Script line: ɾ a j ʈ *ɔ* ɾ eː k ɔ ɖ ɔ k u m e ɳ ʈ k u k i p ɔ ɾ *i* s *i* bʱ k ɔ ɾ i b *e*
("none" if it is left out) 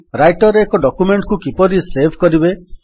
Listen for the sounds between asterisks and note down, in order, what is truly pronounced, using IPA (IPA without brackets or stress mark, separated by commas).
ɔ, i, e, e